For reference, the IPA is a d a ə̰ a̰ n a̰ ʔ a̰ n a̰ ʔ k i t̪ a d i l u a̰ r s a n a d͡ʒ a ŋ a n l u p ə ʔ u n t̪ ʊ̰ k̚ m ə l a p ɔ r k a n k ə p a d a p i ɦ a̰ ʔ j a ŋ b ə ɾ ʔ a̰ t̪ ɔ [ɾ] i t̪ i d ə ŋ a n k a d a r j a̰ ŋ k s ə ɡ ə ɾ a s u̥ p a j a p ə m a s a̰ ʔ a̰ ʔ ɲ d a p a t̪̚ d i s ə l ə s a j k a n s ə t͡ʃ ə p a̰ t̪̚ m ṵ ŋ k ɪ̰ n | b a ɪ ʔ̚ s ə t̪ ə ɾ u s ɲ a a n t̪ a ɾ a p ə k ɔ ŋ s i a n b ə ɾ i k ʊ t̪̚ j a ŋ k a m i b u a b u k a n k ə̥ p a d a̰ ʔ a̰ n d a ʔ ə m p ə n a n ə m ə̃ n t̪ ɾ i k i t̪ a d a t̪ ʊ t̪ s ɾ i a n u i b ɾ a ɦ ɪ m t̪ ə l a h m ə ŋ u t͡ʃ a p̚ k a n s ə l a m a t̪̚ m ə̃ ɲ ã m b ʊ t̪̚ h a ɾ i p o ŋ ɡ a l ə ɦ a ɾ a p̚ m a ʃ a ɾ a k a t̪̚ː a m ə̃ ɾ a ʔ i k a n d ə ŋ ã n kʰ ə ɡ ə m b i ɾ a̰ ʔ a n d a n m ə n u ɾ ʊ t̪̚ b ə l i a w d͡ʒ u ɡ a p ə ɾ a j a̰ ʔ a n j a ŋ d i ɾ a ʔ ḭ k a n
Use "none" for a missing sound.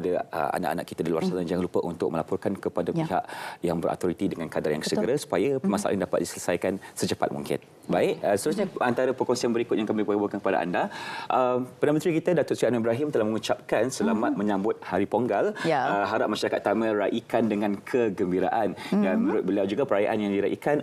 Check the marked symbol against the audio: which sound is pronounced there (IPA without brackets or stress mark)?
ɾ